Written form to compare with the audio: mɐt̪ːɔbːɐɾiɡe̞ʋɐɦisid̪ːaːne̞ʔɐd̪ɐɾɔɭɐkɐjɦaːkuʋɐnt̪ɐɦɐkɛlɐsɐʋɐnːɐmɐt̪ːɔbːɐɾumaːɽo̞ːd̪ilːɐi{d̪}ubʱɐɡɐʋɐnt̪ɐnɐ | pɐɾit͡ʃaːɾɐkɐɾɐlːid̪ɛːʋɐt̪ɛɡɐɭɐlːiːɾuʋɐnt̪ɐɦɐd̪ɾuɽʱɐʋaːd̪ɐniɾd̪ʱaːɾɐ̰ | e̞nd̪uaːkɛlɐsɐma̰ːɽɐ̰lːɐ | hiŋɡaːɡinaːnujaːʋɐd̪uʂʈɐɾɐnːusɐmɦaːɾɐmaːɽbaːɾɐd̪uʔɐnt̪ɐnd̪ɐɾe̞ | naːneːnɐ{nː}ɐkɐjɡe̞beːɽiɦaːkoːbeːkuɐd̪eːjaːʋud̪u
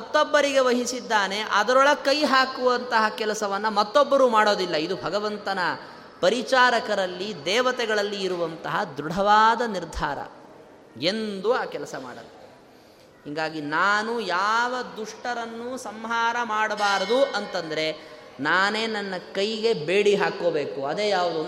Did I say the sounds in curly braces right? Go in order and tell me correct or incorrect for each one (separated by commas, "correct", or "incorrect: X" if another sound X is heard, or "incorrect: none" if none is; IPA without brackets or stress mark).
correct, correct